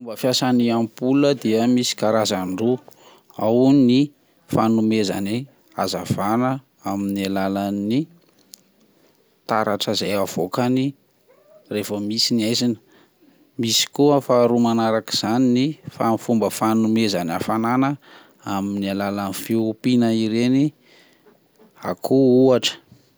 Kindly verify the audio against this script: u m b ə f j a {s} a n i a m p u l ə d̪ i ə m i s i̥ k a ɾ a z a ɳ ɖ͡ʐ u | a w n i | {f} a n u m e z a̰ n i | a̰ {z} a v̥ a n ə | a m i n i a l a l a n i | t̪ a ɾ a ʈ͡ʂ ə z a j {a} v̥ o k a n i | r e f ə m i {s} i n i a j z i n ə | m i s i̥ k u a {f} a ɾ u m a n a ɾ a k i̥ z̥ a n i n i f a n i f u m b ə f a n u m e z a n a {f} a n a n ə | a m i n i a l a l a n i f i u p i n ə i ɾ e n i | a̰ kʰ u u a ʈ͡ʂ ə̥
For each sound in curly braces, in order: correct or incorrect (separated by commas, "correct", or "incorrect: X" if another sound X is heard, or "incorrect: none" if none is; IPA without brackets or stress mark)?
correct, correct, correct, correct, correct, correct, correct